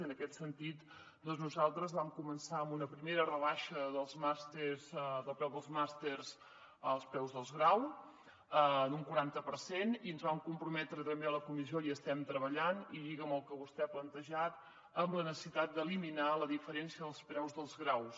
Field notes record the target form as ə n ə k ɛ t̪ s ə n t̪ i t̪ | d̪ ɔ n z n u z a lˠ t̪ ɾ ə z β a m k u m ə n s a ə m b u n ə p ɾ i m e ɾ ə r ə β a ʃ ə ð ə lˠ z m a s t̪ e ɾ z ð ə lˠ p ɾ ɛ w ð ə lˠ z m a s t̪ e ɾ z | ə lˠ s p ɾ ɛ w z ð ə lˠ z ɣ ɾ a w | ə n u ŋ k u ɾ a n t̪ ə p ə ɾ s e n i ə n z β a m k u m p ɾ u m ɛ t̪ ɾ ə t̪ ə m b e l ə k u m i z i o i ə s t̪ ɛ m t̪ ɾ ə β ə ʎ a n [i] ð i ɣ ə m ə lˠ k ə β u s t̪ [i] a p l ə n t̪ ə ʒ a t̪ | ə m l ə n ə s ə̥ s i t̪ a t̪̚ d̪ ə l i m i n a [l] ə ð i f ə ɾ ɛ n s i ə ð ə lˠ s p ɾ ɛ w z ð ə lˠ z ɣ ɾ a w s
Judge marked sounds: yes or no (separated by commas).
yes, no, yes